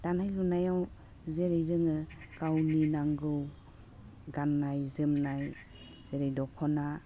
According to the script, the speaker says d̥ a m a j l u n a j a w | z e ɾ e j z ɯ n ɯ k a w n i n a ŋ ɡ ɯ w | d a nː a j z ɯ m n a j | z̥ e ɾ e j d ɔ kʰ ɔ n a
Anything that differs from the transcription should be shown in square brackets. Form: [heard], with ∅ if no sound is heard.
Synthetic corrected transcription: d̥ a [n] a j l u n a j a w | z e ɾ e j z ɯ [ŋ] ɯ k a w n i n a ŋ ɡ ɯ w | [ɡ] a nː a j z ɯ m n a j | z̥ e ɾ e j d ɔ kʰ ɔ n a